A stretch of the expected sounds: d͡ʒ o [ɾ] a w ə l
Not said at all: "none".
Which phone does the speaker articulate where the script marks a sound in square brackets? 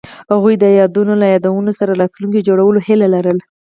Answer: ɽ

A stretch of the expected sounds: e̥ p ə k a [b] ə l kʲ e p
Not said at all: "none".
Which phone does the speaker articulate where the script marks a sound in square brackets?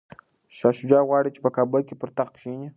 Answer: b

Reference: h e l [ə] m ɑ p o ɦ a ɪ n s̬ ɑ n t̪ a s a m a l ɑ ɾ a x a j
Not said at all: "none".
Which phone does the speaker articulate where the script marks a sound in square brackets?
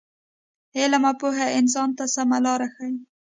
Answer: a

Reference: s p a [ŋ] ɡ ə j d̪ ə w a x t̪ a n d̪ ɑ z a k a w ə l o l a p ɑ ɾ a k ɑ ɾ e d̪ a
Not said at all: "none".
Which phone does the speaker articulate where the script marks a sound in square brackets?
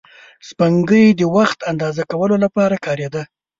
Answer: ŋ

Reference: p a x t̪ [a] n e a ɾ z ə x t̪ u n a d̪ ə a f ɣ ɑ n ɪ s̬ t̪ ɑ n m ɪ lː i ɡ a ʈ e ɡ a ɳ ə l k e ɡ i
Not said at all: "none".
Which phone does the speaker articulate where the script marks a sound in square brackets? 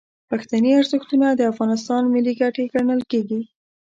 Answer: a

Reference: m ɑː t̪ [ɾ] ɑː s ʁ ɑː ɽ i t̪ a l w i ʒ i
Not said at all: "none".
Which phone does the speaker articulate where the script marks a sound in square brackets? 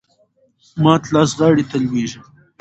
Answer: l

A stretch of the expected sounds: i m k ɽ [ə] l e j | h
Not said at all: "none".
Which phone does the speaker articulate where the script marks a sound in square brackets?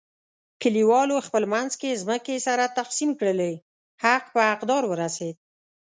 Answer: ə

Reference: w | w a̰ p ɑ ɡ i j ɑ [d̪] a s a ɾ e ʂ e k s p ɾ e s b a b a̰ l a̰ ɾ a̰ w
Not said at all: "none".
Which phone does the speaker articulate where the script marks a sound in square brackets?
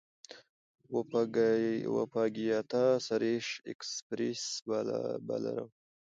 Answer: t̪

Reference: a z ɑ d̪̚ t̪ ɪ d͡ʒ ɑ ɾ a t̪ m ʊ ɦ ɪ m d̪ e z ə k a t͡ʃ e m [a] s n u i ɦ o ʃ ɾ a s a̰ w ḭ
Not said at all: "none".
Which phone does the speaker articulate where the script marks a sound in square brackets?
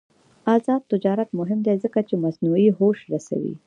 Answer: a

